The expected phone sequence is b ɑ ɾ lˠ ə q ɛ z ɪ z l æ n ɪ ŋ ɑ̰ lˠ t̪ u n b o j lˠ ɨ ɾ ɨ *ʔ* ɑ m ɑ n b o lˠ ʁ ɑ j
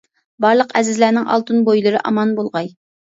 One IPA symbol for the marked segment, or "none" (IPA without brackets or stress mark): ʔ